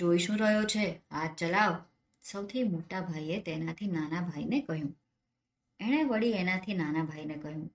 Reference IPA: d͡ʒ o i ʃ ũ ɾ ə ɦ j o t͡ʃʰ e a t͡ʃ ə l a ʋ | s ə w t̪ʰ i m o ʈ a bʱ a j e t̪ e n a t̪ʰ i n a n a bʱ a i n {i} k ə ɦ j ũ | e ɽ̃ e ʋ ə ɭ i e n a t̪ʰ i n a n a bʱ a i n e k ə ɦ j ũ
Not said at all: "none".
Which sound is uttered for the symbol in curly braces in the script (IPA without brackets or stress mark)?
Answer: e